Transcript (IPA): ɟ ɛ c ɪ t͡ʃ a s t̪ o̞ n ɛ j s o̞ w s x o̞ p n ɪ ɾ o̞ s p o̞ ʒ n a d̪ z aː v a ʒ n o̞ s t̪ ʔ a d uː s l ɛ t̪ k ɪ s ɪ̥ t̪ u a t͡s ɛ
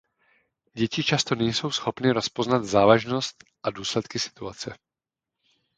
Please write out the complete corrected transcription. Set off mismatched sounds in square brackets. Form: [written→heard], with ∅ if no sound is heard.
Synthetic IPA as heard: ɟ ɛ c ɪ t͡ʃ a s t̪ o̞ n ɛ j s o̞ w s x o̞ p n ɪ ɾ o̞ s p o̞ [ʒ→z] n a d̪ z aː v a ʒ n o̞ s t̪ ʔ a d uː s l ɛ t̪ k ɪ s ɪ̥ t̪ u a t͡s ɛ